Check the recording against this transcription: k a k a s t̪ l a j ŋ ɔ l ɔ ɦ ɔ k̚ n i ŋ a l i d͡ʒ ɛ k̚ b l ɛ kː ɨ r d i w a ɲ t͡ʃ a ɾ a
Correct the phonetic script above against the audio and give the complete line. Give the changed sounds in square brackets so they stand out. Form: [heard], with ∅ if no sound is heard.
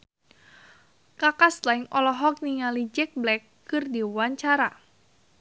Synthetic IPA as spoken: k a k a s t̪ l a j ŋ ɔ l ɔ ɦ ɔ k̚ n i ŋ a l i d͡ʒ ɛ k̚ b l ɛ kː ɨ r d i w a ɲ t͡ʃ a ɾ a